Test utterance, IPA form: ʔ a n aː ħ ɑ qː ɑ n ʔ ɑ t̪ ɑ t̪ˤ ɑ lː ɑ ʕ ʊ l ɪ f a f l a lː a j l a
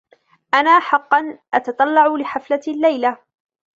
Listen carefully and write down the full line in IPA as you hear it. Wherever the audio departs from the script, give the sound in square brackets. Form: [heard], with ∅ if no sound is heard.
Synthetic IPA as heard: ʔ a n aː ħ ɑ qː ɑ n ʔ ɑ t̪ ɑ t̪ˤ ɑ lː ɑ ʕ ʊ l ɪ [ħ] a f l a lː a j l a

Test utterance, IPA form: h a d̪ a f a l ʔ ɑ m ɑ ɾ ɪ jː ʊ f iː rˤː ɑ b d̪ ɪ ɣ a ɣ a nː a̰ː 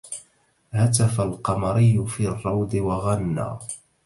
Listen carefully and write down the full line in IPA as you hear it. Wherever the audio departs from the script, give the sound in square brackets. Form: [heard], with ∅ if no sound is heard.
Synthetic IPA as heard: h a [t̪] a f a l [q] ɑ m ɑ ɾ ɪ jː ʊ f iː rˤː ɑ [w] d̪ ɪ [w] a ɣ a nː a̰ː

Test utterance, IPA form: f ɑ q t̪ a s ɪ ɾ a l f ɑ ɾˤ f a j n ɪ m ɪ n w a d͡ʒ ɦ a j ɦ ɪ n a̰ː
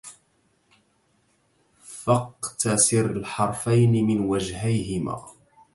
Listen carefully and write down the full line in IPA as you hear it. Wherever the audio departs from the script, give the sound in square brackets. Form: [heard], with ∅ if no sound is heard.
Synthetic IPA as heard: f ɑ q t̪ a s ɪ ɾ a l [ħ] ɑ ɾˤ f a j n ɪ m ɪ n w a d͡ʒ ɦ a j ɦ ɪ [m] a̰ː

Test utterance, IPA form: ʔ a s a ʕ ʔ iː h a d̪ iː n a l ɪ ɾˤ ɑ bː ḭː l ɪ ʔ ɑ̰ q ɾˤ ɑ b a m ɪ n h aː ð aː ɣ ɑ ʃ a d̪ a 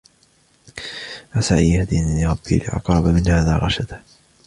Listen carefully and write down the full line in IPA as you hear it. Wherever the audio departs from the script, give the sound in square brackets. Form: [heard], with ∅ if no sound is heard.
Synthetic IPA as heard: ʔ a s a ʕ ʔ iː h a d̪ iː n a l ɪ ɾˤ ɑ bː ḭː l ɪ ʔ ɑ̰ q ɾˤ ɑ b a m ɪ n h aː ð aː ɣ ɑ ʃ a d̪ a

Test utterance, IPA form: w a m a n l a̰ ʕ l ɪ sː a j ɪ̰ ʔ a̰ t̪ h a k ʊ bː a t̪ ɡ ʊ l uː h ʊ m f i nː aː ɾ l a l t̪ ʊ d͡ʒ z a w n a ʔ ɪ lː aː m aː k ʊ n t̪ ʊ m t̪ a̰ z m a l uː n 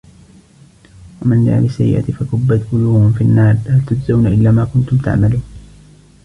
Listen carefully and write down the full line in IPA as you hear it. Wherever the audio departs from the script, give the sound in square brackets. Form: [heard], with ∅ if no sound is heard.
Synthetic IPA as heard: w a m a n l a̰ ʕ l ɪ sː a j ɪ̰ ʔ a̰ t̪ [f] a k ʊ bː a t̪ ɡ ʊ l uː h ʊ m f i nː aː ɾ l a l t̪ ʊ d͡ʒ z a w n a ʔ ɪ lː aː m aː k ʊ n t̪ ʊ m t̪ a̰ [ʕ] m a l uː n

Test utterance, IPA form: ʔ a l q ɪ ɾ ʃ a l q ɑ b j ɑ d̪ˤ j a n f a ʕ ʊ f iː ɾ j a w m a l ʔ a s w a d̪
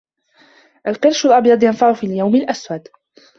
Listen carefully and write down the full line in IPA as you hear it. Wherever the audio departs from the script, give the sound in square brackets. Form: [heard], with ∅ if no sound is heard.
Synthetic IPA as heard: ʔ a l q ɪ ɾ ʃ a l [ʔ] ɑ b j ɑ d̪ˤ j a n f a ʕ ʊ f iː [l] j a w m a l ʔ a s w a d̪

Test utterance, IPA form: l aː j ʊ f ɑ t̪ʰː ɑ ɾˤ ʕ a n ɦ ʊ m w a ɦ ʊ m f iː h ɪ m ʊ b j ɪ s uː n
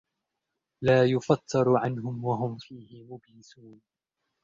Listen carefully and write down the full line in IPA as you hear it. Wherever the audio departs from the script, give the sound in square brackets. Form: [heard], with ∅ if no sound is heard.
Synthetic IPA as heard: l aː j ʊ f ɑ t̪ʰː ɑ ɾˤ ʕ a n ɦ ʊ m w a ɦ ʊ m f iː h ɪ m ʊ b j ɪ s uː n

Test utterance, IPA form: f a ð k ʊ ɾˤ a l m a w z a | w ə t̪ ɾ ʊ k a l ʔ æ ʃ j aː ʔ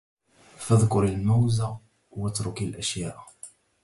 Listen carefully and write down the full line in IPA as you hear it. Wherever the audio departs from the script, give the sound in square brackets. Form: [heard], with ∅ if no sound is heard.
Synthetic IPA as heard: f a ð k ʊ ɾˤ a l m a w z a | w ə t̪ ɾ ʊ k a l ʔ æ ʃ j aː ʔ

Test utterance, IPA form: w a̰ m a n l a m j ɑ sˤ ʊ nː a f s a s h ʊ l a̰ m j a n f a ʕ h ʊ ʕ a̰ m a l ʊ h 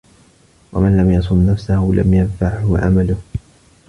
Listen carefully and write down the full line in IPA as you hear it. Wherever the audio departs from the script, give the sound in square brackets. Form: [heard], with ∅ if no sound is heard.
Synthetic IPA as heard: w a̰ m a n l a m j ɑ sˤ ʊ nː a f s a [∅] h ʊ l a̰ m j a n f a ʕ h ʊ ʕ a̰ m a l ʊ h

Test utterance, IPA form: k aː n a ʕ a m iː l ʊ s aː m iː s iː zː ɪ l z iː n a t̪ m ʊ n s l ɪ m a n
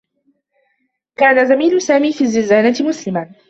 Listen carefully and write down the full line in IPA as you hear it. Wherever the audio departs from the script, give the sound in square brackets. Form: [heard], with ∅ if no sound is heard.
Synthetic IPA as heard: k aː n a [z] a m iː l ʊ s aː m iː [f] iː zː ɪ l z [aː] n a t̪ m ʊ [∅] s l ɪ m a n

